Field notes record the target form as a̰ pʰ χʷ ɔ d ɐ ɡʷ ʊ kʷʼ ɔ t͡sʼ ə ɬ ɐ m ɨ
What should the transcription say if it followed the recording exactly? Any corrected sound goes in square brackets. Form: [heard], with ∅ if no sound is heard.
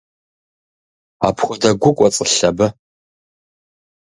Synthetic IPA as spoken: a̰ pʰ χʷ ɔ d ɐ ɡʷ ʊ kʷʼ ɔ t͡sʼ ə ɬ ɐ [b] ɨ